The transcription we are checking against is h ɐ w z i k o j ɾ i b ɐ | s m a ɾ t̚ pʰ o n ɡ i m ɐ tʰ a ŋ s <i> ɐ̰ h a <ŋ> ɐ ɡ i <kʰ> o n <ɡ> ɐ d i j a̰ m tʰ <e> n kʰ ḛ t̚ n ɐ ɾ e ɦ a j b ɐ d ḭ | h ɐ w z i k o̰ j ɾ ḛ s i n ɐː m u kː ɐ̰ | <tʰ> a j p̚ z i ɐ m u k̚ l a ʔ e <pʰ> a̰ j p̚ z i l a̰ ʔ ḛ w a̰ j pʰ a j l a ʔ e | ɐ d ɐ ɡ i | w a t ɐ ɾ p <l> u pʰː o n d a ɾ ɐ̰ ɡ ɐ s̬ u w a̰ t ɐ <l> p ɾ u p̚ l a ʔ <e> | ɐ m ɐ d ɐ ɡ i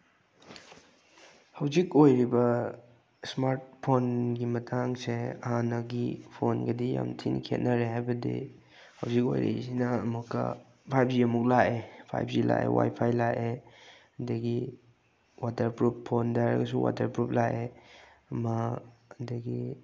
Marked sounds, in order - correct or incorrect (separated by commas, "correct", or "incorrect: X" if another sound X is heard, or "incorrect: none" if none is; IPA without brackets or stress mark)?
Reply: incorrect: e, incorrect: n, incorrect: pʰ, correct, incorrect: i, incorrect: pʰ, correct, incorrect: ɾ, incorrect: ɾ, correct